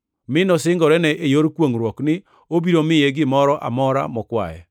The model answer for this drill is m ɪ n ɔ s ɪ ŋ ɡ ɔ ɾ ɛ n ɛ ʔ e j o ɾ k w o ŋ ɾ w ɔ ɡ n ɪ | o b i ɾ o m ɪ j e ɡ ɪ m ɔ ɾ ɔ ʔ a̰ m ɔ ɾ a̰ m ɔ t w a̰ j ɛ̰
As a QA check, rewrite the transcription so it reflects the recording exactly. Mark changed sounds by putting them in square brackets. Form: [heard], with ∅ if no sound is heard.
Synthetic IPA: m ɪ n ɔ s ɪ ŋ ɡ ɔ ɾ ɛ n ɛ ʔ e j o ɾ k w o ŋ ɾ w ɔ [k] n ɪ | o b i ɾ o m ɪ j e ɡ ɪ m ɔ ɾ ɔ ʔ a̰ m ɔ ɾ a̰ m ɔ [k] w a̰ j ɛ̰